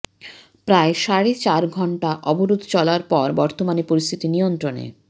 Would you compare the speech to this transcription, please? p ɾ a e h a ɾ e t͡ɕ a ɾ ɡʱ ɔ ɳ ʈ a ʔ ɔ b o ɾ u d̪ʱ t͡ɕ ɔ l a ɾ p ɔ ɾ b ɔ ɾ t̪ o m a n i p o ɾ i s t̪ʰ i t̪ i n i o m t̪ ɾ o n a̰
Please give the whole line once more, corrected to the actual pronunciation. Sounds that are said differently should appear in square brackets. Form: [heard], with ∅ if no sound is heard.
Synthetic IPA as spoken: p ɾ a e [ʃ] a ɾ e t͡ɕ a ɾ ɡʱ ɔ ɳ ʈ a ʔ ɔ b o ɾ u d̪ʱ t͡ɕ ɔ l a ɾ p ɔ ɾ b ɔ ɾ t̪ o m a n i p o ɾ i s t̪ʰ i t̪ i n i o [n] t̪ ɾ o n [ḛ]